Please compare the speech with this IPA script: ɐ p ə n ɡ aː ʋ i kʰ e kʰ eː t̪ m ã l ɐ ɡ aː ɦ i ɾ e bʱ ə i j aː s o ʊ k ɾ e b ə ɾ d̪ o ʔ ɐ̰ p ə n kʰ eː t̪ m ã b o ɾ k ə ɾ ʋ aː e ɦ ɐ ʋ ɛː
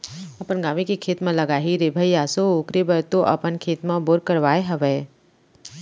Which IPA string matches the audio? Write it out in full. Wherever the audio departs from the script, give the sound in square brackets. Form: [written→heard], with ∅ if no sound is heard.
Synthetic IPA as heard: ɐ p ə n ɡ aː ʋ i [kʰ→k] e kʰ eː t̪ m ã l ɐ ɡ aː ɦ i ɾ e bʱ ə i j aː s o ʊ k ɾ e b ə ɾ [d̪→t̪] o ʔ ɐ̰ p ə n kʰ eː t̪ m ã b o ɾ k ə ɾ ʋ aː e ɦ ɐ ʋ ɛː